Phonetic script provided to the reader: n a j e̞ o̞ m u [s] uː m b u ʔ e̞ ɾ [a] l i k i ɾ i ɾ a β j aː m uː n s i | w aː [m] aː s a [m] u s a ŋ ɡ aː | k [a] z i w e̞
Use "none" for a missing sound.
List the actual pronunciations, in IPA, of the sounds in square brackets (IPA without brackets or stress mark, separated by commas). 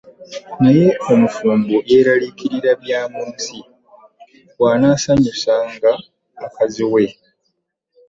f, a, n, ɲ, a